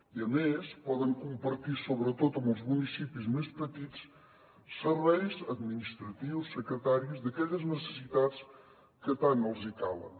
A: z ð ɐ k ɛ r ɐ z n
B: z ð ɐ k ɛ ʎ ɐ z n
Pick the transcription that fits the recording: B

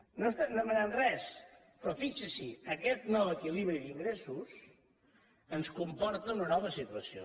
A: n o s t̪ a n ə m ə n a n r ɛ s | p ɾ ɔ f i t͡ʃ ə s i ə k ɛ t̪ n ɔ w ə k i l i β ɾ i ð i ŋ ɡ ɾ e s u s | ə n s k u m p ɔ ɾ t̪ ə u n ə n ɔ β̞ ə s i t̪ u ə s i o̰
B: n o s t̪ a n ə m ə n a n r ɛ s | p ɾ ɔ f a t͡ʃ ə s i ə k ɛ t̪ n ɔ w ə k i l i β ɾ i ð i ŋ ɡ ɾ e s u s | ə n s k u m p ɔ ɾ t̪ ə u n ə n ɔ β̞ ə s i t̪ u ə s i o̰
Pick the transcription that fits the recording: A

